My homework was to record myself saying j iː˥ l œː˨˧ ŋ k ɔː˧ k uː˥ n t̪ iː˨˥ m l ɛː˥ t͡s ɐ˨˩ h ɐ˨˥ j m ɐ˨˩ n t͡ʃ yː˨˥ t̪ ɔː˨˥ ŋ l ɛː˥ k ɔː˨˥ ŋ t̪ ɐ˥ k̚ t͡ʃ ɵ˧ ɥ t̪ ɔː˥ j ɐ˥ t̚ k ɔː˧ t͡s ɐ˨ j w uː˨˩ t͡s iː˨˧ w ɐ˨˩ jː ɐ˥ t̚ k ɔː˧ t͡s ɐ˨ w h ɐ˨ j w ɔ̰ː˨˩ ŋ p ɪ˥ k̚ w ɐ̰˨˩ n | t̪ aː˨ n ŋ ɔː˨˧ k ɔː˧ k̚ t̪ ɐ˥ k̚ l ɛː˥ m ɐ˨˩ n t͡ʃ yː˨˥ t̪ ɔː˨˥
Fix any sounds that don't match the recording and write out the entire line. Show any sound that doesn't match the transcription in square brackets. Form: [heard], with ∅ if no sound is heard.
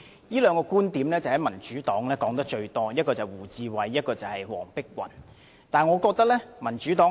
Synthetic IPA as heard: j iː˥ l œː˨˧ ŋ k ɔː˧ k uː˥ n t̪ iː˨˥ m l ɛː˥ t͡s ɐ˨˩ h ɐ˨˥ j m ɐ˨˩ n t͡ʃ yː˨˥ t̪ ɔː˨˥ ŋ l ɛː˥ k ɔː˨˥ ŋ t̪ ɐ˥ k̚ t͡ʃ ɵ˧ ɥ t̪ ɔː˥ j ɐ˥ t̚ k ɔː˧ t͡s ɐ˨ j w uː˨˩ t͡s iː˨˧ w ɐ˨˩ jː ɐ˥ t̚ k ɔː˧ t͡s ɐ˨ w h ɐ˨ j w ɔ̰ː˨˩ ŋ p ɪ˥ k̚ w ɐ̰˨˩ n | t̪ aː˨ n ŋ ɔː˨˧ k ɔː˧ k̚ t̪ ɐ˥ k̚ l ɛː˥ m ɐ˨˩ n t͡ʃ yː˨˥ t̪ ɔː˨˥